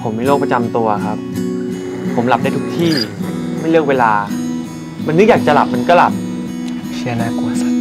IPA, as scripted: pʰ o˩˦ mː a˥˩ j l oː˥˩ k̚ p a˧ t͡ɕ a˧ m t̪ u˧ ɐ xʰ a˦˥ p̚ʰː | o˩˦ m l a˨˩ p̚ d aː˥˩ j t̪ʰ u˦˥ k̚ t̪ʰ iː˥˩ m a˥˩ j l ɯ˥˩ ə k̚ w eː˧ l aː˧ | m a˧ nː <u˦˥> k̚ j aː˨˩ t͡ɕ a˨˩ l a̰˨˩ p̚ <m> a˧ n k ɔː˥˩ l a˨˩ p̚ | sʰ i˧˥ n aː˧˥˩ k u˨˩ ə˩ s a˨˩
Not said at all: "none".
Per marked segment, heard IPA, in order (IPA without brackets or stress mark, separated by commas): ɯ˦˥, m